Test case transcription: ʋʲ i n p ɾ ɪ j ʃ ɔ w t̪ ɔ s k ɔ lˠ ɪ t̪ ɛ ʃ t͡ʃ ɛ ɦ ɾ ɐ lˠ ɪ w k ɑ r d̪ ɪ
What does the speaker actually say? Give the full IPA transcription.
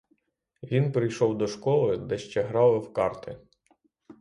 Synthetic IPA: ʋʲ i n p ɾ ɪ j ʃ ɔ w d̪ ɔ ʃ k ɔ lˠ ɪ d̪ ɛ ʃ t͡ʃ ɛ ɦ ɾ ɑ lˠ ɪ w k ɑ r t̪ ɪ